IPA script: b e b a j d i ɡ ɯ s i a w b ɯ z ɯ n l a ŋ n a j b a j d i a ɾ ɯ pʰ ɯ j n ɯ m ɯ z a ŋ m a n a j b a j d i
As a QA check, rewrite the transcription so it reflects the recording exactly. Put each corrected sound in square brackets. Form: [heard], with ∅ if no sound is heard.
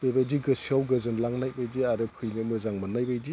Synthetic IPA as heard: b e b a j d i ɡ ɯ s i a w [ɡ] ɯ z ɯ n l a ŋ n a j b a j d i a ɾ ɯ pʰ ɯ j n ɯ m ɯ z a ŋ m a n a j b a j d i